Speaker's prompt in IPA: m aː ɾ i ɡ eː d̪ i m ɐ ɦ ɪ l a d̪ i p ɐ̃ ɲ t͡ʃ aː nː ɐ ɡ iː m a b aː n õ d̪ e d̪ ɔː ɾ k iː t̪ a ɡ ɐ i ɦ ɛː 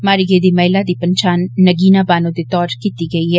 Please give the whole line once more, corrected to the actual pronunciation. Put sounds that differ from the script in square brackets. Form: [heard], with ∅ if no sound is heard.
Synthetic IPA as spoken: m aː ɾ i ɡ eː d̪ i m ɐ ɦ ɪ l a d̪ i p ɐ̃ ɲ t͡ʃ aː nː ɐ ɡ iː [n] a b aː n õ d̪ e [t̪] ɔː ɾ k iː t̪ [i] ɡ ɐ i ɦ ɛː